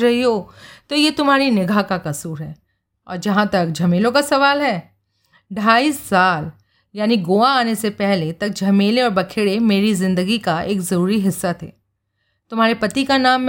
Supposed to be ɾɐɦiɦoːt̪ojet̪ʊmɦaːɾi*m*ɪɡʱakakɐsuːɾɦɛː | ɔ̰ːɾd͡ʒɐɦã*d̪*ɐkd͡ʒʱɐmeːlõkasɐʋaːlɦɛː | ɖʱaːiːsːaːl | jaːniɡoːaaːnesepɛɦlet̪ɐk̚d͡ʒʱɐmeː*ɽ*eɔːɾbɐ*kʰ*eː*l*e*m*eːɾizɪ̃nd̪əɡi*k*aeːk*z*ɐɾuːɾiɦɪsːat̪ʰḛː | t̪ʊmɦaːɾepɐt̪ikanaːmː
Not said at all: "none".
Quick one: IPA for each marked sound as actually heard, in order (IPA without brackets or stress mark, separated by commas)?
n, t̪, l, kʰ, ɽ, m, k, z